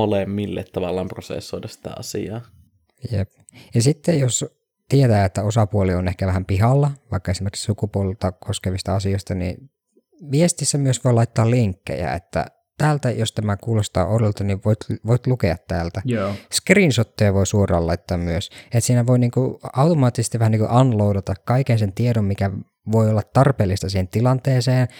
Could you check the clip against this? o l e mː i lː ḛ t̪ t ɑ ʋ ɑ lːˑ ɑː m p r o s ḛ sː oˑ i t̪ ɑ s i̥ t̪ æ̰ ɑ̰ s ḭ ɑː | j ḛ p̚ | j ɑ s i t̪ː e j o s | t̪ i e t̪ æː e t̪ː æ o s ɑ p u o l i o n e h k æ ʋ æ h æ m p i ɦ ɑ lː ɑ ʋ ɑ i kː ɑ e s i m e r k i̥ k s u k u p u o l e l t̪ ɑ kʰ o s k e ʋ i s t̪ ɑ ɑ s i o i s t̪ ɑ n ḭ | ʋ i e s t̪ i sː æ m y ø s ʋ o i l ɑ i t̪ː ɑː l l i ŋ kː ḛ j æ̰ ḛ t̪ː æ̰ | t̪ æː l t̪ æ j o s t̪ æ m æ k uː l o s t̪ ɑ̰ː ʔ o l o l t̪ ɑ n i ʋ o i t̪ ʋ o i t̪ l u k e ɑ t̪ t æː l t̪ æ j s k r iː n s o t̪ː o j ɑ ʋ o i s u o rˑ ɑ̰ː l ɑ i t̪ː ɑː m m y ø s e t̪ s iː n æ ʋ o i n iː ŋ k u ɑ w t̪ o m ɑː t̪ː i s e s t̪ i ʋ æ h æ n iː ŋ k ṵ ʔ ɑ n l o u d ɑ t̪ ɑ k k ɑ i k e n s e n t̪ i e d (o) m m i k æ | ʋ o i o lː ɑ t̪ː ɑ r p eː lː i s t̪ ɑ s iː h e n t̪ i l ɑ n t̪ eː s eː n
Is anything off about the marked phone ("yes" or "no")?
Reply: no